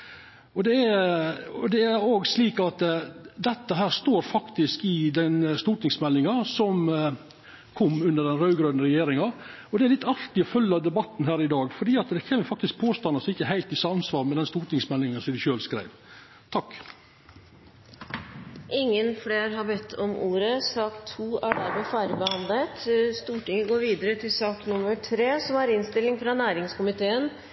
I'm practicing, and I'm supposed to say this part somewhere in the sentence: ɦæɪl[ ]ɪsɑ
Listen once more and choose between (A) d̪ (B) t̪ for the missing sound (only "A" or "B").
B